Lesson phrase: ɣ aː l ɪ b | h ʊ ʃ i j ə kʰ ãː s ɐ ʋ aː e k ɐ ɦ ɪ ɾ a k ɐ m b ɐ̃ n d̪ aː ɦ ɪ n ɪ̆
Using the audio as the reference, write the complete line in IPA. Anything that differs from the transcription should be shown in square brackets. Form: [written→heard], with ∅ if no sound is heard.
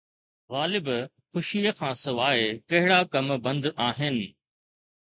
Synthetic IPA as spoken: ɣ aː l ɪ b | [h→x] ʊ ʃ i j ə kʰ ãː s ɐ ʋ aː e k ɐ ɦ ɪ [ɾ→ɽ] a k ɐ m b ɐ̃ n d̪ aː ɦ ɪ n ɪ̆